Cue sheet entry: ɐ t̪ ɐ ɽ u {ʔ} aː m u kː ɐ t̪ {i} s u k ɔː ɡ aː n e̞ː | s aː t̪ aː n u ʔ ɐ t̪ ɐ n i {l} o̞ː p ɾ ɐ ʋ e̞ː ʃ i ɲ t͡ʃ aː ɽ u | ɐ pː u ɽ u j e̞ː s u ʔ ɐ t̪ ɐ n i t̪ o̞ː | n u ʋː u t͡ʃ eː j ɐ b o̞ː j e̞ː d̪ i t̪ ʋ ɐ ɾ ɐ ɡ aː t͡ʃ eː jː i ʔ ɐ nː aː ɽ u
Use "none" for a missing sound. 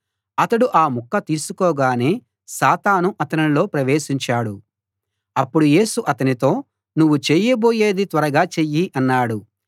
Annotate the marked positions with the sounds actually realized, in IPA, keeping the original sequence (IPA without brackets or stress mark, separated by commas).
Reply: ʔ, iː, l